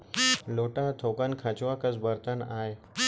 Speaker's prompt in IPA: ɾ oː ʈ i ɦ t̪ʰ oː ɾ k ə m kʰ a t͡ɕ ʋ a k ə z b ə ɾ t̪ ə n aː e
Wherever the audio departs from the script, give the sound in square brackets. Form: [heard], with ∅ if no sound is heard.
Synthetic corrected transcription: [l] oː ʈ [a] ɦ t̪ʰ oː [∅] k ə [n] kʰ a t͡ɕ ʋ a k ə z b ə ɾ t̪ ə n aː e